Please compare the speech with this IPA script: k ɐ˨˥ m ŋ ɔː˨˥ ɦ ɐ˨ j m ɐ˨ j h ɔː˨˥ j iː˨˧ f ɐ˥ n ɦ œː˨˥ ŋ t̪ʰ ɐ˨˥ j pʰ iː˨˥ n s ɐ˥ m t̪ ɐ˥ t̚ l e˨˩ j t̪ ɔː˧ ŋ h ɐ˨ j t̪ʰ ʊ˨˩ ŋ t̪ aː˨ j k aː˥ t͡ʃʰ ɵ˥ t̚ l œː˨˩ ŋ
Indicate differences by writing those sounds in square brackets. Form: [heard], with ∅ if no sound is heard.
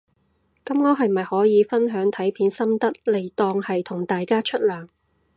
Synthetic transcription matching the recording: k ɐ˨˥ m ŋ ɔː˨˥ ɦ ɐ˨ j m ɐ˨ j h ɔː˨˥ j iː˨˧ f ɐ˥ n ɦ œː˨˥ ŋ t̪ʰ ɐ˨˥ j pʰ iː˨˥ n s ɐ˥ m t̪ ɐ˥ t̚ l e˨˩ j t̪ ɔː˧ ŋ h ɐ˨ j t̪ʰ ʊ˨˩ ŋ t̪ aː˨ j k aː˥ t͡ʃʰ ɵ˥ t̚ l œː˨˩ ŋ